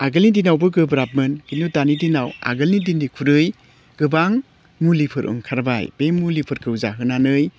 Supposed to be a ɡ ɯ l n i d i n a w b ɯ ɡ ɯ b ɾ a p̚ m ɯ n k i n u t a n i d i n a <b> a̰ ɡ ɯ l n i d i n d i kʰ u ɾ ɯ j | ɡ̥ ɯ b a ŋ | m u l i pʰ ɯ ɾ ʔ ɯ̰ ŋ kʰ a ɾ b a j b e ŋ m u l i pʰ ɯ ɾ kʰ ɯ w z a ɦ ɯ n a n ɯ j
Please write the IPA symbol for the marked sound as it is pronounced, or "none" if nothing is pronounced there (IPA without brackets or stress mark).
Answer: w